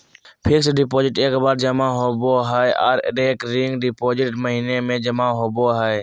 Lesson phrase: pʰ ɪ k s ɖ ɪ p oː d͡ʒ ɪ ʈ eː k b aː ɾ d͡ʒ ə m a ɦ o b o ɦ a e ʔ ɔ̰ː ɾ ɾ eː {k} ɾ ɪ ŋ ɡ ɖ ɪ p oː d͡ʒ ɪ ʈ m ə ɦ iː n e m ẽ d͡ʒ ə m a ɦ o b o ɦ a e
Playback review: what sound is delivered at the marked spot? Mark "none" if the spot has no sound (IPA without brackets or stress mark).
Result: k